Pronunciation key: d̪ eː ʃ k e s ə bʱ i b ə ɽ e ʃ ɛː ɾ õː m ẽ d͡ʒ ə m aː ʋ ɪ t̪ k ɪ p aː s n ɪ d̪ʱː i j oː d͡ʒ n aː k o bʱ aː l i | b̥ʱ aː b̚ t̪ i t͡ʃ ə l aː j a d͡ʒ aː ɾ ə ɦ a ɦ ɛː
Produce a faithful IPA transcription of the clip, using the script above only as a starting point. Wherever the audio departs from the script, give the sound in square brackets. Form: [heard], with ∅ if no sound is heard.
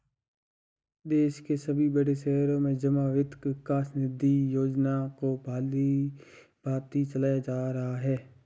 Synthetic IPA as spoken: d̪ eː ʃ k e s ə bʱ i b ə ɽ e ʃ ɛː ɾ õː m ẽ d͡ʒ ə m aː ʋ ɪ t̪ k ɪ [k] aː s n ɪ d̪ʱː i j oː d͡ʒ n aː k o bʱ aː l i | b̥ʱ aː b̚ t̪ i t͡ʃ ə l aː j a d͡ʒ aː ɾ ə ɦ a ɦ ɛː